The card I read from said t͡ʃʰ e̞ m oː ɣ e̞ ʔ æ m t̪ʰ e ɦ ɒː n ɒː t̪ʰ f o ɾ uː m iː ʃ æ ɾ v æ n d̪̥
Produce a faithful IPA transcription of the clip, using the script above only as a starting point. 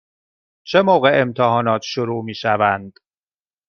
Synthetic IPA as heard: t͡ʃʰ e̞ m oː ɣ e̞ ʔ e m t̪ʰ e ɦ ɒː n ɒː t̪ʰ ʃ o ɾ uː m iː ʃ æ v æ n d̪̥

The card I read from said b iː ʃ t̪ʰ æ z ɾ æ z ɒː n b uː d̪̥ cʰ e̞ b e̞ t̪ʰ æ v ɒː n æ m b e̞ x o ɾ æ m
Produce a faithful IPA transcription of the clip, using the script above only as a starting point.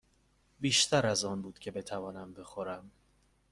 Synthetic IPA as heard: b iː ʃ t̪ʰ æ ɾ æ z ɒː n b uː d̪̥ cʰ e̞ b e̞ t̪ʰ æ v ɒː n æ m b e̞ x o ɾ æ m

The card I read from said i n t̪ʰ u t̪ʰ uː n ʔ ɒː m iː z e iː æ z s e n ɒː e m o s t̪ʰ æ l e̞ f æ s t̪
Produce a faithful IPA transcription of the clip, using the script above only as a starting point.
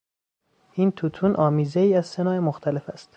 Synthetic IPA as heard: i n t̪ʰ u t̪ʰ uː n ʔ ɒː m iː z e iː æ z s e n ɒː e m o x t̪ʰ æ l e̞ f æ s t̪

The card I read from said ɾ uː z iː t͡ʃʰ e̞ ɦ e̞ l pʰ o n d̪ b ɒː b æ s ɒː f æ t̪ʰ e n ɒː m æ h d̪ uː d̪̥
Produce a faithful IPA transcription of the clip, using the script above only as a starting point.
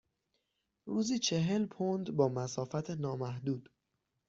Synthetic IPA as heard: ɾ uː z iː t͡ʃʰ e̞ ɦ e̞ l pʰ o n d̪ b ɒː m æ s ɒː f æ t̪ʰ e n ɒː m æ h d̪ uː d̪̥

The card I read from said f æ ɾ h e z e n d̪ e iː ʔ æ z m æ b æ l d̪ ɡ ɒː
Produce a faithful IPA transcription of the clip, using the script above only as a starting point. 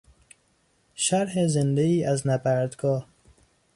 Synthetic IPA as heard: ʃ æ ɾ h e z e n d̪ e iː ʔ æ z n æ b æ ɾ d̪ ɡ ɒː

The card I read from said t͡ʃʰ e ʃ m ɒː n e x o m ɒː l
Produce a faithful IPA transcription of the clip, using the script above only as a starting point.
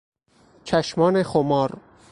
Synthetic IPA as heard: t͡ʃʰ æ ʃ m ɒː n e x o m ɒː ɾ

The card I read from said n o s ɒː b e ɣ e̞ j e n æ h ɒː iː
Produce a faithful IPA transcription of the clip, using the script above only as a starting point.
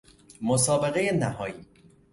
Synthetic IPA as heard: m o s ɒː b e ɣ e̞ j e n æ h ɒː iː

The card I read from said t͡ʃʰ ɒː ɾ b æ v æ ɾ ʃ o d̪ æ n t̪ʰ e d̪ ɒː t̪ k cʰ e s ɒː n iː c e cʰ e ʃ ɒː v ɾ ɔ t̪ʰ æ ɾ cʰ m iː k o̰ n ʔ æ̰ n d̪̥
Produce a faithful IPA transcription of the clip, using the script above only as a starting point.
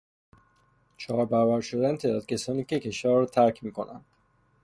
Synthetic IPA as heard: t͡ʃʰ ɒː ɾ b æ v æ ɾ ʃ o d̪ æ n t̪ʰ e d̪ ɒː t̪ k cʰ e s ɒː n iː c e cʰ e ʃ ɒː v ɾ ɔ t̪ʰ æ ɾ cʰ m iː k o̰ n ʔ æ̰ n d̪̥

